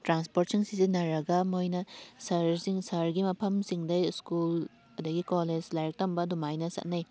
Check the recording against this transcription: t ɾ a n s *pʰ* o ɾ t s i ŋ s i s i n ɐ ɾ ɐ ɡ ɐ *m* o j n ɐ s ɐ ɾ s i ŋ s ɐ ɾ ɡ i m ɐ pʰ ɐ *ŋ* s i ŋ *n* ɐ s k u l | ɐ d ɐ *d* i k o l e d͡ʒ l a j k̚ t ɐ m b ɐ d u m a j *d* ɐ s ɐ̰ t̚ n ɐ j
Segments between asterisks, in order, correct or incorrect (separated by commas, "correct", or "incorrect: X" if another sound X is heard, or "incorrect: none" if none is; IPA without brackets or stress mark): incorrect: p, correct, incorrect: m, incorrect: d, incorrect: ɡ, incorrect: n